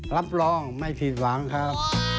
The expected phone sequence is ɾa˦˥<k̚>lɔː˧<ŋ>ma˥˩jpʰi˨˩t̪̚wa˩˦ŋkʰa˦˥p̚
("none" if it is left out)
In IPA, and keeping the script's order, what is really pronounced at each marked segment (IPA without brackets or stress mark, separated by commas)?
p̚, ŋ